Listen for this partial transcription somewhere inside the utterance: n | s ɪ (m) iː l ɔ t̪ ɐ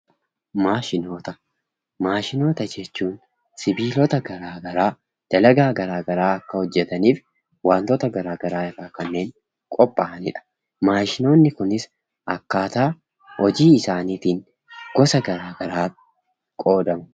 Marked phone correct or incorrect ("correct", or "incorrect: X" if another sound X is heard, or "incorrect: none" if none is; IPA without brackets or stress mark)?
incorrect: b